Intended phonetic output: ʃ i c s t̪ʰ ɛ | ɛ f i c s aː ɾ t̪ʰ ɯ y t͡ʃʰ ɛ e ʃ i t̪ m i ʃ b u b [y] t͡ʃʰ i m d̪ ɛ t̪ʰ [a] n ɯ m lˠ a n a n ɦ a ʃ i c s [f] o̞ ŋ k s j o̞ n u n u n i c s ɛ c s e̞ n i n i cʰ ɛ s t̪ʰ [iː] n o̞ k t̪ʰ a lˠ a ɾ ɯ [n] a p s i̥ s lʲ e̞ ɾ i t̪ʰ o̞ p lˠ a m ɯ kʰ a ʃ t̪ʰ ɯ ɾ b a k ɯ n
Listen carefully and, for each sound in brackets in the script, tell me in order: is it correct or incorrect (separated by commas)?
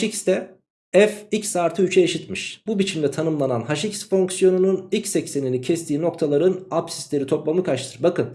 incorrect, correct, correct, correct, correct